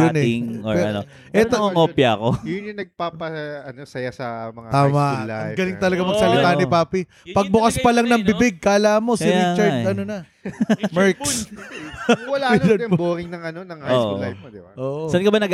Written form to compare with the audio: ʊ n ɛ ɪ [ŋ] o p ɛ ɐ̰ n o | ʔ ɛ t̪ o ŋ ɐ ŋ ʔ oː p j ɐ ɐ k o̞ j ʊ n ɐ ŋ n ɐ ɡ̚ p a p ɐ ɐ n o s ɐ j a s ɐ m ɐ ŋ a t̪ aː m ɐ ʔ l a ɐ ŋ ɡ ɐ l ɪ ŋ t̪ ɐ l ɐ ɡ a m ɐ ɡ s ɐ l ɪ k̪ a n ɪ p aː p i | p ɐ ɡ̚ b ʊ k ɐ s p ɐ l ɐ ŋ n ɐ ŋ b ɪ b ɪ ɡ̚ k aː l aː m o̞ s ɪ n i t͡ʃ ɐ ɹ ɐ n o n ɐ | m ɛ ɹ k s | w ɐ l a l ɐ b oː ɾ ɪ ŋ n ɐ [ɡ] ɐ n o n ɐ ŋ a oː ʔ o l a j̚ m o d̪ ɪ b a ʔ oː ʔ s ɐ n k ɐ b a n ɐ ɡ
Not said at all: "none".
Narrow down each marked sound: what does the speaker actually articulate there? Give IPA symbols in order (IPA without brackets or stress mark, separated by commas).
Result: ŋ, ŋ